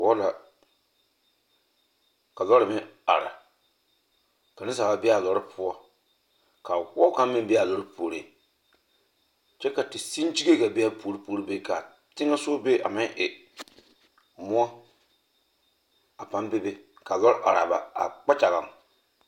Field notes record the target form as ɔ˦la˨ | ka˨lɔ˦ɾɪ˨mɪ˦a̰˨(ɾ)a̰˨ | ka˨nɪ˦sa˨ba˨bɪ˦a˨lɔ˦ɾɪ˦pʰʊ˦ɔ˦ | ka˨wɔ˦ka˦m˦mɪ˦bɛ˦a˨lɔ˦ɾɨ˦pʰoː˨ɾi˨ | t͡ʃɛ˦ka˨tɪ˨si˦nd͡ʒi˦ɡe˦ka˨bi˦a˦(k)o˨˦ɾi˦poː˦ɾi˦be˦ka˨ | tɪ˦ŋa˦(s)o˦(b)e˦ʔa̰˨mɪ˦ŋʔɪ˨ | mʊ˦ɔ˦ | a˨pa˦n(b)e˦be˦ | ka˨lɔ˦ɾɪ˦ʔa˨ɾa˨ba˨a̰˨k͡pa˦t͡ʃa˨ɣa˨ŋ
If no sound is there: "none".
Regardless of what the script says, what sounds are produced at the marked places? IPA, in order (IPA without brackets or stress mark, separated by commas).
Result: ɾ, p, s, b, b